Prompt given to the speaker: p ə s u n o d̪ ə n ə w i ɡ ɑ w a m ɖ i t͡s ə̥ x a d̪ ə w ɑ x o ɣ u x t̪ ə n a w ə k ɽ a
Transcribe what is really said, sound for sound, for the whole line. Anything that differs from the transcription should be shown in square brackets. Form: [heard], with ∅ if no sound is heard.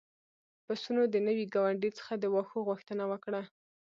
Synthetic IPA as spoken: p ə s u n o d̪ ə n ə w i ɡ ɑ w a [ɳ] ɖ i t͡s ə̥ x a d̪ ə w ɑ x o ɣ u x t̪ ə n a w ə k ɽ a